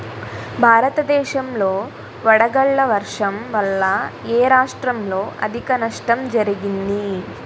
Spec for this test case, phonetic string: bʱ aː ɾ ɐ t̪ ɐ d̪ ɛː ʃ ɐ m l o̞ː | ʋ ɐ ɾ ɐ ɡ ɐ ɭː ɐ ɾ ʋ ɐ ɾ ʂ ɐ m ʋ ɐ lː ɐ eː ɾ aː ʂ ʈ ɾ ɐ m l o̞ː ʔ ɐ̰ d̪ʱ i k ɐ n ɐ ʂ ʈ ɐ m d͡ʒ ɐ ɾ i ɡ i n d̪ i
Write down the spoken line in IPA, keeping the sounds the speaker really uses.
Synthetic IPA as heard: bʱ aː ɾ ɐ t̪ ɐ d̪ ɛː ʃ ɐ m l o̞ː | ʋ ɐ ɽ ɐ ɡ ɐ ɭː ɐ ʋ ɐ ɾ ʂ ɐ m ʋ ɐ lː ɐ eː ɾ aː ʂ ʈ ɾ ɐ m l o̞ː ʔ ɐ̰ d̪ʱ i k ɐ n ɐ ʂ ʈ ɐ m d͡ʒ ɐ ɾ i ɡ i n d̪ i